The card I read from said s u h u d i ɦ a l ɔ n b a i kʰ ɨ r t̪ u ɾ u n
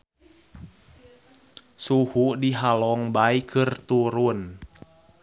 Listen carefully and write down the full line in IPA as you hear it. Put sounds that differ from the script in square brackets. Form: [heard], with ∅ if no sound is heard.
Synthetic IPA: s u h u d i ɦ a l ɔ [ŋ] b a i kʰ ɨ r t̪ u ɾ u n